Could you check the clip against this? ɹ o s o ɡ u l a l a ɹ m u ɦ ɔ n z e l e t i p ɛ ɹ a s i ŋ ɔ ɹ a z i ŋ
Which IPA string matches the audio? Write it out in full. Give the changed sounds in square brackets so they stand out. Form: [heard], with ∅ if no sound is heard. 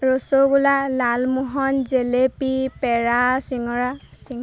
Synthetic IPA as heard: ɹ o s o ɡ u l a l a [l] m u ɦ ɔ n z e l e [p] i p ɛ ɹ a s i ŋ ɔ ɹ a [s] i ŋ